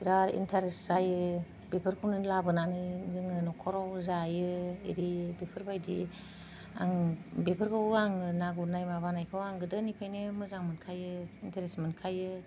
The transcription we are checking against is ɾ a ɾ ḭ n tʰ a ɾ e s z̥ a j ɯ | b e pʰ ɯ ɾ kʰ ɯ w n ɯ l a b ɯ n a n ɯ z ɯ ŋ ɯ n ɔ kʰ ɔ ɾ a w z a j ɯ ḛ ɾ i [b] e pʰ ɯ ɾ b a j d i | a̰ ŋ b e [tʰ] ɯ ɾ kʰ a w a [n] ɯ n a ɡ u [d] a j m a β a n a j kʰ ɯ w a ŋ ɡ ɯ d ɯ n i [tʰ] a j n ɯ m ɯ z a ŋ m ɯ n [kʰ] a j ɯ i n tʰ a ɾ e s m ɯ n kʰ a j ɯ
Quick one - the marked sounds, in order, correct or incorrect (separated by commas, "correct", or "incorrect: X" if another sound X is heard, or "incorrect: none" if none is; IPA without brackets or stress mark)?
correct, incorrect: pʰ, incorrect: ŋ, incorrect: n, incorrect: pʰ, correct